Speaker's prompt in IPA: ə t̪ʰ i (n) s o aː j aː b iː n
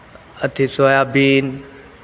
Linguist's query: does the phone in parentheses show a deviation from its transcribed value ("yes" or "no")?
yes